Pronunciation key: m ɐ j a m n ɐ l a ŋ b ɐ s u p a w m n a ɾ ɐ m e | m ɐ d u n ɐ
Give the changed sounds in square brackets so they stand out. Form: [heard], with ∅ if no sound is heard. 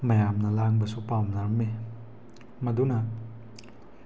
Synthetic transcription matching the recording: m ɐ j a m n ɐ l a ŋ b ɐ s u p a w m n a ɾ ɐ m e | m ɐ d u n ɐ